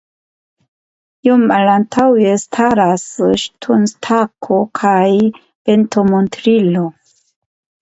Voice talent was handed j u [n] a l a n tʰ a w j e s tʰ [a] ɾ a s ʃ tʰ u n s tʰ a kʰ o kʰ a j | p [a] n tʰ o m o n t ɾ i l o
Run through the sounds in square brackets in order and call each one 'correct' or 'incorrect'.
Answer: incorrect: m, correct, incorrect: e

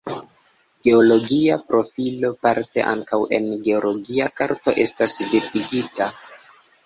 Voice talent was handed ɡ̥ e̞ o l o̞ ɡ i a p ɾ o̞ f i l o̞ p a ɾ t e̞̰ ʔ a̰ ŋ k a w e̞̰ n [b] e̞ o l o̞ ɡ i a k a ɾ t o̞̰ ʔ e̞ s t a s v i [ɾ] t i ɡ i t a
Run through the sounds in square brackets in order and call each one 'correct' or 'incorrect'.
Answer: incorrect: ɡ, correct

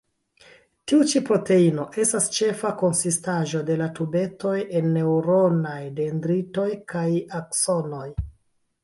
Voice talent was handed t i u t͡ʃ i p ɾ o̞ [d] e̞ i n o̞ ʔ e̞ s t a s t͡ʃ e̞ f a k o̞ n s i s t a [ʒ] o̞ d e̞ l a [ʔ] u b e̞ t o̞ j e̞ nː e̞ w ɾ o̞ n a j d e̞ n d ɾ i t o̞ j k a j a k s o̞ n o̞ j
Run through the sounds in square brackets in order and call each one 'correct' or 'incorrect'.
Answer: incorrect: t, correct, incorrect: t

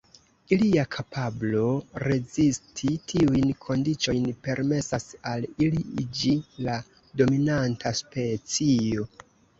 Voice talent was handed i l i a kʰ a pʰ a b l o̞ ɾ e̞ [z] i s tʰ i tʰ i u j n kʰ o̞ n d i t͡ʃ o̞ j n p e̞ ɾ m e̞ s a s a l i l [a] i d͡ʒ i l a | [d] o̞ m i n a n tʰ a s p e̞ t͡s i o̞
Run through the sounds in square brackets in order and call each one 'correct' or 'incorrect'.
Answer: correct, incorrect: i, correct

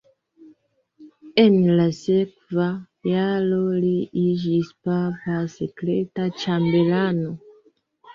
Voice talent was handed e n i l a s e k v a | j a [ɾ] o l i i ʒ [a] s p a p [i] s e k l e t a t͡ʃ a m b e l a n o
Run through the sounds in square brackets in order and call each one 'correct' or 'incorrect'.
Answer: incorrect: l, incorrect: i, incorrect: a

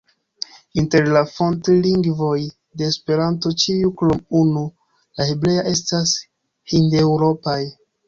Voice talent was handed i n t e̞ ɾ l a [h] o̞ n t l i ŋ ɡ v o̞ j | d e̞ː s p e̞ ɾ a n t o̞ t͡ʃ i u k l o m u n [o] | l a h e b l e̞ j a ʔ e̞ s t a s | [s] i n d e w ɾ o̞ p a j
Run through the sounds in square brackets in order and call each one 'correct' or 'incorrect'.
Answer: incorrect: f, incorrect: u, incorrect: h

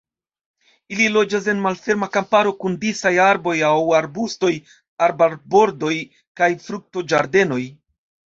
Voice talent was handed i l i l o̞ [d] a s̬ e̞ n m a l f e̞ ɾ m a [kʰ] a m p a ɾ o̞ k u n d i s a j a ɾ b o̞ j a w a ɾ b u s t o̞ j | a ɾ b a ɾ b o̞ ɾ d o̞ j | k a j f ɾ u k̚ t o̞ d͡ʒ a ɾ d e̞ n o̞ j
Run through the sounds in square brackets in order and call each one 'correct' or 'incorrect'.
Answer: incorrect: d͡ʒ, incorrect: k

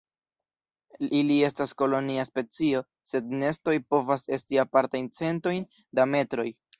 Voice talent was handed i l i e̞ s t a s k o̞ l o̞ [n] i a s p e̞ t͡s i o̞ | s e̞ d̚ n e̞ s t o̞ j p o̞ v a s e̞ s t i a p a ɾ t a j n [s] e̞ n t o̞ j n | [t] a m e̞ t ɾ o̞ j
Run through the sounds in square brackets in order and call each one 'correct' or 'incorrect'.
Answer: correct, incorrect: t͡s, incorrect: d

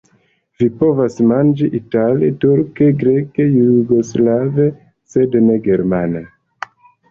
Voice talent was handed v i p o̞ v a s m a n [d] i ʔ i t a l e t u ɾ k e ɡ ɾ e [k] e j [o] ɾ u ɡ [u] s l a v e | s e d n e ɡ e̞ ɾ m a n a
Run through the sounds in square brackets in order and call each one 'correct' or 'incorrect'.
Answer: incorrect: d͡ʒ, correct, incorrect: u, incorrect: o

